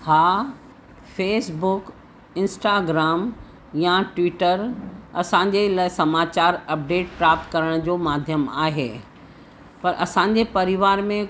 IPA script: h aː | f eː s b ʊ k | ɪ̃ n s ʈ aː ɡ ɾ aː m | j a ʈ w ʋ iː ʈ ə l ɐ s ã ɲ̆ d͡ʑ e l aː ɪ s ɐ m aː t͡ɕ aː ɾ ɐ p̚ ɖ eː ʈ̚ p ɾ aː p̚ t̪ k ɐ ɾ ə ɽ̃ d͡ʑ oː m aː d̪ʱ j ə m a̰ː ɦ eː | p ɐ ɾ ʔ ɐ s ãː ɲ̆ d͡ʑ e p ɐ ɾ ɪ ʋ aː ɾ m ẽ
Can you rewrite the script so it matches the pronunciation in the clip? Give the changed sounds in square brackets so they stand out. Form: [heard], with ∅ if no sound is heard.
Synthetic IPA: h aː | f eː s b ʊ k | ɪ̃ n s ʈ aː ɡ ɾ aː m | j a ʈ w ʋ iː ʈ ə [ɾ] ɐ s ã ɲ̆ d͡ʑ e l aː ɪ s ɐ m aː t͡ɕ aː ɾ ɐ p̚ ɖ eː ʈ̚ p ɾ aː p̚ t̪ k ɐ ɾ ə ɽ̃ d͡ʑ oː m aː d̪ʱ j ə m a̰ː ɦ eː | p ɐ ɾ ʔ ɐ s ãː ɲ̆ d͡ʑ e p ɐ ɾ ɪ ʋ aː ɾ m ẽ